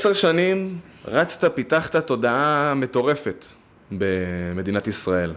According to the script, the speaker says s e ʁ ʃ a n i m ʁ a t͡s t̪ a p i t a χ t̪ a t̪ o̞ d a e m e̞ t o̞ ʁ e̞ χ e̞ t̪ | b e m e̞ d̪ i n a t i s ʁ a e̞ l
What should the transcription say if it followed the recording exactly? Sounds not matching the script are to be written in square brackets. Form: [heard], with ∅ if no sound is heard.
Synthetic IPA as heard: s e ʁ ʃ a n i m ʁ a t͡s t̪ a p i t a χ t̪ a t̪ o̞ d a [a] m e̞ t o̞ ʁ e̞ [f] e̞ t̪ | b e m e̞ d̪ i n a t i s ʁ a e̞ l